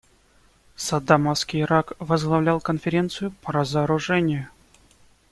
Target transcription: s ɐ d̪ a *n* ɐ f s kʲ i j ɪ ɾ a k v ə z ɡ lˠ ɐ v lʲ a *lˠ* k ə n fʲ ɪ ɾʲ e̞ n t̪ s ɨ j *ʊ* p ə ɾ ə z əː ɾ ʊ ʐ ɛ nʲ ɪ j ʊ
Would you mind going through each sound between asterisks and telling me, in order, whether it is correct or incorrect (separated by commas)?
incorrect, correct, correct